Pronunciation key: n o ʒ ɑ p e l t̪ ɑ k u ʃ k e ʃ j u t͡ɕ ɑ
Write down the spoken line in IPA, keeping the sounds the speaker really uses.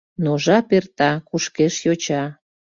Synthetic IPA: n o ʒ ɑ p e r t̪ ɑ k u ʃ k e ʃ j o t͡ɕ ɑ